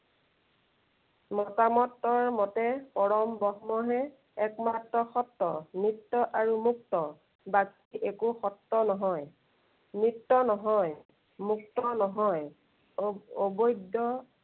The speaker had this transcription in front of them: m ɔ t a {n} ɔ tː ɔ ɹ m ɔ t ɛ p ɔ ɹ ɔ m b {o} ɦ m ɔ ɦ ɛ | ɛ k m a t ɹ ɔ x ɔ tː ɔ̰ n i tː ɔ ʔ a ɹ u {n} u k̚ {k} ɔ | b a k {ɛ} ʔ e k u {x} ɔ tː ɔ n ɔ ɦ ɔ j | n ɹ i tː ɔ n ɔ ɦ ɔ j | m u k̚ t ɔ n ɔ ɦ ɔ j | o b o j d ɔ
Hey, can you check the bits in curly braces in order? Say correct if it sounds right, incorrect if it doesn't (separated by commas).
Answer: incorrect, incorrect, incorrect, incorrect, incorrect, correct